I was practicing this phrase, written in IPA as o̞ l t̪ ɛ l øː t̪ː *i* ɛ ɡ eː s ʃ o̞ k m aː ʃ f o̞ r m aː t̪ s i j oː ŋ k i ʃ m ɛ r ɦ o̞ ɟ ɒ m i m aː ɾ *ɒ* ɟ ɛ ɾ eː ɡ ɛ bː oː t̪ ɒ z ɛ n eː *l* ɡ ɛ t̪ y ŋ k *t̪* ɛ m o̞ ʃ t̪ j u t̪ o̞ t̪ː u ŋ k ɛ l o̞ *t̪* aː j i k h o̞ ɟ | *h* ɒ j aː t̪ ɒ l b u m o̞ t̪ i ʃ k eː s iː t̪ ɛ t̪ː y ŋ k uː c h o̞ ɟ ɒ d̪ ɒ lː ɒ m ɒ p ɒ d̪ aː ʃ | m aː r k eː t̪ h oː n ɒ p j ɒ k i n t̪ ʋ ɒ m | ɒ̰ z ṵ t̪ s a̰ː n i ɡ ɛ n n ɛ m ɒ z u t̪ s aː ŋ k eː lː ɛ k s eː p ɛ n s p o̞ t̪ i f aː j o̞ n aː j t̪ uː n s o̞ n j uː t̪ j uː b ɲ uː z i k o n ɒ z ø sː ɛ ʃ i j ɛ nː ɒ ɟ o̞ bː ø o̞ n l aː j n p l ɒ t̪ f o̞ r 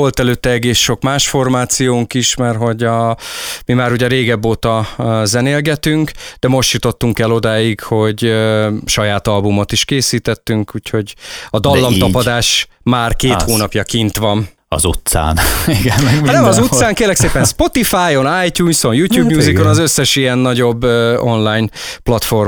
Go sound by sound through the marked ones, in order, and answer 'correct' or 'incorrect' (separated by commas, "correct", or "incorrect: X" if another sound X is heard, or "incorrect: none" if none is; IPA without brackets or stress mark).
incorrect: ɛ, incorrect: u, correct, incorrect: d̪, incorrect: d̪, incorrect: ʃ